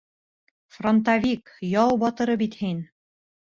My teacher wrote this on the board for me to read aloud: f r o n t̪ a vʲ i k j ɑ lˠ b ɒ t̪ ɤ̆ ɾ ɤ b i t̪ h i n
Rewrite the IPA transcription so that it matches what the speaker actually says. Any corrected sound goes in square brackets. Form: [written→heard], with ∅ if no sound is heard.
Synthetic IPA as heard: f r o n t̪ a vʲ i k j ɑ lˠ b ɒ t̪ ɤ̆ ɾ ɤ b i t̪ h i n

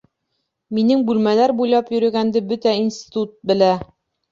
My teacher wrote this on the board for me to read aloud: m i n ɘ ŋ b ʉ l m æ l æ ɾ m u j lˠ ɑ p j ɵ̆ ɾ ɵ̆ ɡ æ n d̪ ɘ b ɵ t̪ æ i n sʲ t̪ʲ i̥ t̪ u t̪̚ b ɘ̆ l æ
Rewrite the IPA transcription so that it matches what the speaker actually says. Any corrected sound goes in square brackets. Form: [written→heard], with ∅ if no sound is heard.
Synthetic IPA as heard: m i n ɘ ŋ b ʉ l m æ l æ ɾ [m→b] u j lˠ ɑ p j ɵ̆ ɾ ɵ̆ ɡ æ n d̪ ɘ b ɵ t̪ æ i n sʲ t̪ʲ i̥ t̪ u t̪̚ b ɘ̆ l æ

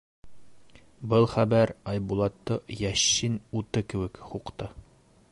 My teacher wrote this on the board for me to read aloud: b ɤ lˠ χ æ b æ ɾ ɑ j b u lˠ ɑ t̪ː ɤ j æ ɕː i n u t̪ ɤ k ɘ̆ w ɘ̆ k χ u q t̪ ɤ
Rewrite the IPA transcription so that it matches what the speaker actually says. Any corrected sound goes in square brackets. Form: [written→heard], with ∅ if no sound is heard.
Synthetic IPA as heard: b ɤ lˠ χ æ b æ ɾ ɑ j b u lˠ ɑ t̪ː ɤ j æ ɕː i n u t̪ ɤ k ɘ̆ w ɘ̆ k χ u q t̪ ɤ

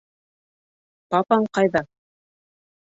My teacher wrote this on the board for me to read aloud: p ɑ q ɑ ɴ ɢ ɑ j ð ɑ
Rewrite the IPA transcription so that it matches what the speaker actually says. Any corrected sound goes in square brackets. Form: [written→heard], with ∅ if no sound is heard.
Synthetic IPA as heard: p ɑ [q→p] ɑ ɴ [ɢ→q] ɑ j ð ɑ

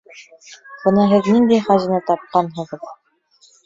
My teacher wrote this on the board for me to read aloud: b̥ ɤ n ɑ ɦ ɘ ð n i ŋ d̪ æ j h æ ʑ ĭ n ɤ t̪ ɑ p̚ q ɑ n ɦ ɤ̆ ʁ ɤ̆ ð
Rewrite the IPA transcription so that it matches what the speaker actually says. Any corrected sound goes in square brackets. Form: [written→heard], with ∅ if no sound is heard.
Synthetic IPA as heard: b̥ ɤ n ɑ ɦ ɘ ð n i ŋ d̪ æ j [h→χ] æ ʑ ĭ n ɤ t̪ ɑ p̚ q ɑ n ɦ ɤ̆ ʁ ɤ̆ ð

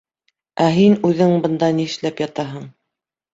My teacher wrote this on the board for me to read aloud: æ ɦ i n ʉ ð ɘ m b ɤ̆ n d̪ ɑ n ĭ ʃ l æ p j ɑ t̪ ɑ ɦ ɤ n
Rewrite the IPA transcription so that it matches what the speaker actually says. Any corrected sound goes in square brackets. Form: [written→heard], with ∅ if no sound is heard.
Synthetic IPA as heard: æ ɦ i n ʉ ð ɘ [m→ŋ] b ɤ̆ n d̪ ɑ n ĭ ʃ l æ p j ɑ t̪ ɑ ɦ ɤ [n→ɴ]

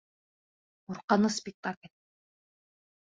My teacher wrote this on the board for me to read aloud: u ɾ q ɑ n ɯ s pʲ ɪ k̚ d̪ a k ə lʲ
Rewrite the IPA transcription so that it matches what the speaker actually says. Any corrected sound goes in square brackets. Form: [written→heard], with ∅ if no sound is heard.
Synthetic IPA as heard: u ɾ q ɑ n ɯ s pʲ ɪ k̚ [d̪→t̪] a k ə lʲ

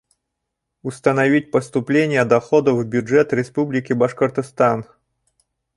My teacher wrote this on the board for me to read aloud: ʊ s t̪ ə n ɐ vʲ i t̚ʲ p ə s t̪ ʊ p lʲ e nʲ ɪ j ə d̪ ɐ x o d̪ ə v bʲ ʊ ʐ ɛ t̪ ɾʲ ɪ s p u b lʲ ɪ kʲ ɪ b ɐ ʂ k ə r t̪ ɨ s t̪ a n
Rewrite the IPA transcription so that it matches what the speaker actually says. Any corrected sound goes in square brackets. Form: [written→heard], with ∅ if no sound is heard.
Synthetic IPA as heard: ʊ s t̪ ə n ɐ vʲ i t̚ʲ p ə s t̪ ʊ p lʲ e nʲ ɪ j ə d̪ ɐ x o d̪ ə v bʲ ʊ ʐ ɛ t̪ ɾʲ ɪ s p u b lʲ ɪ kʲ ɪ b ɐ ʂ k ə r t̪ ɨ s t̪ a n

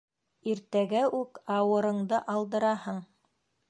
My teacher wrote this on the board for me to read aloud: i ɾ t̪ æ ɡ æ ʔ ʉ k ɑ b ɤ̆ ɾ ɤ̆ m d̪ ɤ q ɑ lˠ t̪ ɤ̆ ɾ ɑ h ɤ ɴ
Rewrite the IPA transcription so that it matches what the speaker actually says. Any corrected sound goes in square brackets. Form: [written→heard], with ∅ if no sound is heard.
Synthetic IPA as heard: i ɾ t̪ æ ɡ æ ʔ ʉ k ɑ [b→w] ɤ̆ ɾ ɤ̆ [m→ɴ] d̪ ɤ [q→ʔ] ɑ lˠ [t̪→d̪] ɤ̆ ɾ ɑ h ɤ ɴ

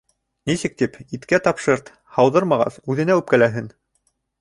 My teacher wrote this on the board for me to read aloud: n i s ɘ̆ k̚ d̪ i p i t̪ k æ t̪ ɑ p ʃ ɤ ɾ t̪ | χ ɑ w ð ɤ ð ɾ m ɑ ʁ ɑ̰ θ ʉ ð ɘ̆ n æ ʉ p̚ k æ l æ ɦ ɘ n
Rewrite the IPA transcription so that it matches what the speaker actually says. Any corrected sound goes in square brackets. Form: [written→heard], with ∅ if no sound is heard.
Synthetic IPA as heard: n i s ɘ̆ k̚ [d̪→t̪] i p i t̪ k æ t̪ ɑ p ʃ ɤ ɾ t̪ | [χ→h] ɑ w ð ɤ [ð→∅] ɾ m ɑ ʁ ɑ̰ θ ʉ ð ɘ̆ n æ ʉ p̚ k æ l æ ɦ ɘ n

